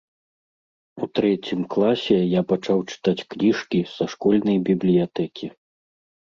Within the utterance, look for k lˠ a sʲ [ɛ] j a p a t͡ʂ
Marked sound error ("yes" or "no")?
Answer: no